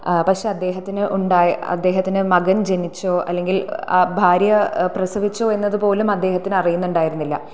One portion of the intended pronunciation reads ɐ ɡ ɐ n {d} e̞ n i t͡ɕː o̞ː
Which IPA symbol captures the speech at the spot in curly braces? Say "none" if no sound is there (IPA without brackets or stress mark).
d͡ʑ